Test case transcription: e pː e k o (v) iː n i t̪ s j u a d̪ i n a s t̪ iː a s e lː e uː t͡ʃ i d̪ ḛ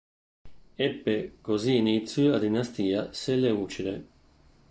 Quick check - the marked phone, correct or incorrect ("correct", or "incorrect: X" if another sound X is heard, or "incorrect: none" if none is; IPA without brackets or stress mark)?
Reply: incorrect: z